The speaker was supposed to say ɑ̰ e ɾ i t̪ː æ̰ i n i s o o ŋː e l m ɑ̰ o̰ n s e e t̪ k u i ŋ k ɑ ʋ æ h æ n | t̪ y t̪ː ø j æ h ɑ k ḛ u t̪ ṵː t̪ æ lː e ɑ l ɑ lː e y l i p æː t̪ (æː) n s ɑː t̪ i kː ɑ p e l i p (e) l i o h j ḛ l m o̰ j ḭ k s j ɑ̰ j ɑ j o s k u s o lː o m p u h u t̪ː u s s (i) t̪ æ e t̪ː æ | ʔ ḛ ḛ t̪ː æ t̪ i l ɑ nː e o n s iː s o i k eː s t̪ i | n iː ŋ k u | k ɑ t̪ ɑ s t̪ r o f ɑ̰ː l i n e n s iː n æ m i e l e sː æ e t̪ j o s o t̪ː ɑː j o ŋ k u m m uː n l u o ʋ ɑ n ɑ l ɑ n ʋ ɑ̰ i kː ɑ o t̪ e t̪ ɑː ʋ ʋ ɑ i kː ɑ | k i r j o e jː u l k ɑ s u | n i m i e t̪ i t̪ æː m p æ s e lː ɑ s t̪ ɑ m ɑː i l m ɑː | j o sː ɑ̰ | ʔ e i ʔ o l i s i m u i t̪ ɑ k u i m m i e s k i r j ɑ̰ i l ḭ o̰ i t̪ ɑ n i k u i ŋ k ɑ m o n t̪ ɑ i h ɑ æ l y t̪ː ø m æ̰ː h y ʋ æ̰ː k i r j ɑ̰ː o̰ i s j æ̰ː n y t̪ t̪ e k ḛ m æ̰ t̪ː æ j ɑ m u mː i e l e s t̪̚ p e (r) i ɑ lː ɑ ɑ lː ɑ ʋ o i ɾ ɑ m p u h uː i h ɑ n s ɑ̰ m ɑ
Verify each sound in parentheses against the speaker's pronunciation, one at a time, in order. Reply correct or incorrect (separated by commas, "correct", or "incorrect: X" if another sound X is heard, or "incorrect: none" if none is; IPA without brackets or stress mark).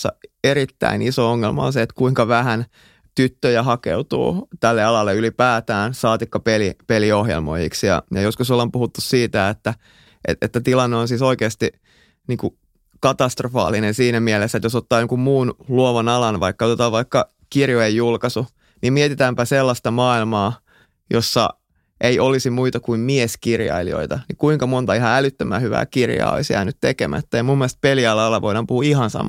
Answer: correct, correct, incorrect: iː, incorrect: l